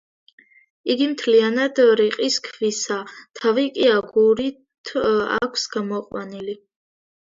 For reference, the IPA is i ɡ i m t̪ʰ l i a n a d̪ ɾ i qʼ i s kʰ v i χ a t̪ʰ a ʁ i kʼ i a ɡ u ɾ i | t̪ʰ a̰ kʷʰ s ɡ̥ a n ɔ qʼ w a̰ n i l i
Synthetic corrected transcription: i ɡ i m t̪ʰ l i a n a d̪ ɾ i qʼ i s kʰ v i s a t̪ʰ a v i kʼ i a ɡ u ɾ i | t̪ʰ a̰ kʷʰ s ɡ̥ a m ɔ qʼ w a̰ n i l i